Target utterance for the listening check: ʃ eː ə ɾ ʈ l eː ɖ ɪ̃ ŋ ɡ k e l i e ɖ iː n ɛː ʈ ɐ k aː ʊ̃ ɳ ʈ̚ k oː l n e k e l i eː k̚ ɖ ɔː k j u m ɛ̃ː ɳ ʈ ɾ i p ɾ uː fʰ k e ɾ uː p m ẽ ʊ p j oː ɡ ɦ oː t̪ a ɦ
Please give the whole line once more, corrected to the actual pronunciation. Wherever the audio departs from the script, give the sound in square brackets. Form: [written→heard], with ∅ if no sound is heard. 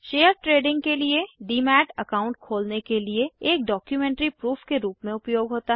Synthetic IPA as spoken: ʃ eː ə ɾ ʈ [l→ɾ] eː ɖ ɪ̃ ŋ ɡ k e l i e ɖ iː [n→m] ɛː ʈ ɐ k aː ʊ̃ ɳ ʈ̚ [k→kʰ] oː l n e k e l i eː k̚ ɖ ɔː k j u m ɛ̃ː ɳ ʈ ɾ i p ɾ uː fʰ k e ɾ uː p m ẽ ʊ p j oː ɡ ɦ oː t̪ a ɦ